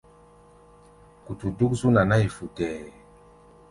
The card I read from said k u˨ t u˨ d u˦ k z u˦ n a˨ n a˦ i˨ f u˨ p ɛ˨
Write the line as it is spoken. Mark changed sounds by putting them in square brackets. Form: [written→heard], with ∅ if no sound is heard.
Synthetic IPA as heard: k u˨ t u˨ d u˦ k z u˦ n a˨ n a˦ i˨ f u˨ [p→t] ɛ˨